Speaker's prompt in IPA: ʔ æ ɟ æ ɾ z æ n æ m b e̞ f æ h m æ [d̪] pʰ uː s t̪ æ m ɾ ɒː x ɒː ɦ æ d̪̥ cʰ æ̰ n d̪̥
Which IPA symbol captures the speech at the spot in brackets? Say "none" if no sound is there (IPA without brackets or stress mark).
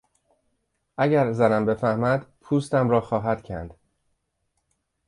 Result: d̪